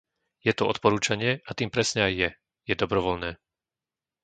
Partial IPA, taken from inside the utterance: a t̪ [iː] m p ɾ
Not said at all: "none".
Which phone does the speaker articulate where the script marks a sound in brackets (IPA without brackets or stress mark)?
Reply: iː